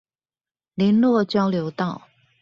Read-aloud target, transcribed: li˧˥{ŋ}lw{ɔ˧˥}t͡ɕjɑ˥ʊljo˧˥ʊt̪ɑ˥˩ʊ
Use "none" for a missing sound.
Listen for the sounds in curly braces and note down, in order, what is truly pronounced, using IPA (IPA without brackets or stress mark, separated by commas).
n, ɔ˥˨